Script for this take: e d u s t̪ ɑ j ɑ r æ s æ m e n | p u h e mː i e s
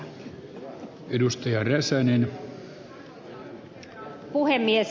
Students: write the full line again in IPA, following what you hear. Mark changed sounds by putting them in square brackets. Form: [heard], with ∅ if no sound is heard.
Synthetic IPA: e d u s t̪ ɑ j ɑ r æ s æ [n] e n | p u h e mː i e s